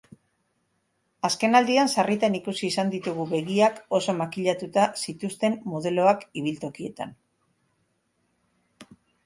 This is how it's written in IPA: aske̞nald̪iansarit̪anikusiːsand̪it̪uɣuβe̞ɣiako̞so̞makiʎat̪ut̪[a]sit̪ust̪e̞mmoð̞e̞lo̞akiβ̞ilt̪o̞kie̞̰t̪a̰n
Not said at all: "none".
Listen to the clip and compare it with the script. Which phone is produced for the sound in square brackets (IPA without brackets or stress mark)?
a